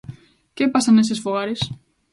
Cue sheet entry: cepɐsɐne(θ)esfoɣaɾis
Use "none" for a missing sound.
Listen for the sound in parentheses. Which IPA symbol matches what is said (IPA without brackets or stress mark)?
s